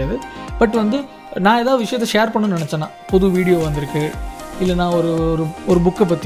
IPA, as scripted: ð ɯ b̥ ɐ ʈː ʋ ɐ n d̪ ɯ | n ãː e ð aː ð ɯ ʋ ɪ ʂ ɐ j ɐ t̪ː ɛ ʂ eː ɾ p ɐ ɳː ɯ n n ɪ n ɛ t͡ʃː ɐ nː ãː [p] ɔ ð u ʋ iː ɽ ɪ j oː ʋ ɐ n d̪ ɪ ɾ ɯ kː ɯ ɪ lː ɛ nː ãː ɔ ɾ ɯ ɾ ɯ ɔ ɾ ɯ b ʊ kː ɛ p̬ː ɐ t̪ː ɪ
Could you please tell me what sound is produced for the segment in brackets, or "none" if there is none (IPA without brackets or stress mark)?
p